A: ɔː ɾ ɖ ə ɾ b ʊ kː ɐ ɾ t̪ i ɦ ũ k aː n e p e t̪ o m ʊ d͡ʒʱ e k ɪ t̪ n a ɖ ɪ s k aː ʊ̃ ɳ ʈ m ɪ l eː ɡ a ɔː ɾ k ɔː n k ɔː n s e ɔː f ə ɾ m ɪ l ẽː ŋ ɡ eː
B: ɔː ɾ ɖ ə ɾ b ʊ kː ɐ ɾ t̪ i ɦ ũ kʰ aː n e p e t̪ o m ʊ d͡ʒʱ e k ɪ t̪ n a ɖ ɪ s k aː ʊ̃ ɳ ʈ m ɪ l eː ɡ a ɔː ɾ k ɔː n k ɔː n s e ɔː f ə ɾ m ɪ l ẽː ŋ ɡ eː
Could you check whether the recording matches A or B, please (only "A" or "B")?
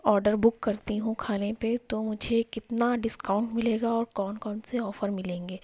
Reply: B